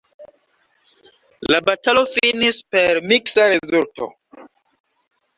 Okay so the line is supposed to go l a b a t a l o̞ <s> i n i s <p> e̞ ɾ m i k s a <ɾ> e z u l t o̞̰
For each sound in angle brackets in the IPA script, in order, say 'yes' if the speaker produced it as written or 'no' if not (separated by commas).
no, yes, yes